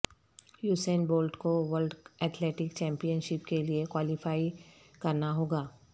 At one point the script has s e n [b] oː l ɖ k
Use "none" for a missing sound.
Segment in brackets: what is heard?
b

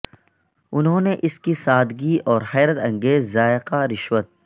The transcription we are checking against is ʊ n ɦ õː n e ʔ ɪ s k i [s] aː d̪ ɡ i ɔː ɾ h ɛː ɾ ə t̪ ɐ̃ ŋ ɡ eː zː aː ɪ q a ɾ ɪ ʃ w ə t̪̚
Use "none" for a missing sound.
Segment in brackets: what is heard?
s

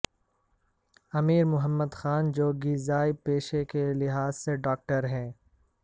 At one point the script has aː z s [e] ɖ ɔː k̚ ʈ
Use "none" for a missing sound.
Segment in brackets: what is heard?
e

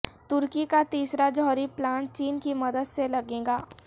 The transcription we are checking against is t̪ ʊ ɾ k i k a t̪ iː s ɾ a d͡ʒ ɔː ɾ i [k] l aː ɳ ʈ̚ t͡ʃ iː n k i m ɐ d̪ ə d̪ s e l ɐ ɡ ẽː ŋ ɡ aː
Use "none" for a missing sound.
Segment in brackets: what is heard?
p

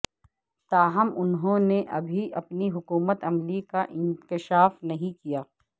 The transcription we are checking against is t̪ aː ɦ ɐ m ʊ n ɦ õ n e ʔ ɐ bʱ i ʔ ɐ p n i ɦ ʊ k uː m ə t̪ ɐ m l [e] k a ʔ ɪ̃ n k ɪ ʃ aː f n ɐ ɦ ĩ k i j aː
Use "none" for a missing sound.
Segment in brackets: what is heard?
i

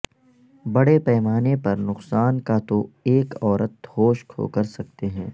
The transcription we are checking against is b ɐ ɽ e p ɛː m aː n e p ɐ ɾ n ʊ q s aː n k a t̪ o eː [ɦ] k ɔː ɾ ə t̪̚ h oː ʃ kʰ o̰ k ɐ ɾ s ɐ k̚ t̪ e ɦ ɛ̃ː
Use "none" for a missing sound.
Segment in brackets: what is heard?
none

